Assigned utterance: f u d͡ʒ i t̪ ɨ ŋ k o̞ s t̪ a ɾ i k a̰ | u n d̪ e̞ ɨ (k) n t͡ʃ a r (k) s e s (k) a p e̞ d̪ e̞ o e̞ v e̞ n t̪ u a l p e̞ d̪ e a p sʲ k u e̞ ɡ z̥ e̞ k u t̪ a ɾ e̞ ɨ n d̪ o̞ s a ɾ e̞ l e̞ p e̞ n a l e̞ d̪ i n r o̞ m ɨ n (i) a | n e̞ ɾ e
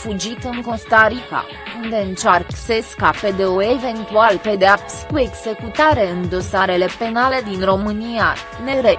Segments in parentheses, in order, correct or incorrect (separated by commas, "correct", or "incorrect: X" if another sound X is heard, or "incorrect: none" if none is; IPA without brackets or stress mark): incorrect: none, correct, correct, correct